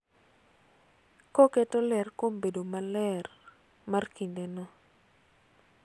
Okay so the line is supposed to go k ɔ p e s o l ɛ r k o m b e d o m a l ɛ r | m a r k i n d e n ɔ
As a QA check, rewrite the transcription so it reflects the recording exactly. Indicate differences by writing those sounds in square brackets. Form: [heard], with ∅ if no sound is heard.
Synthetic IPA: k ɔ [k] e [t] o l ɛ r k o m b e d o m a l ɛ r | m a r k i n d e n ɔ